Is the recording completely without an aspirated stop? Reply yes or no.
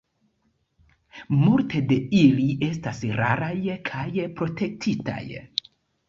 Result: no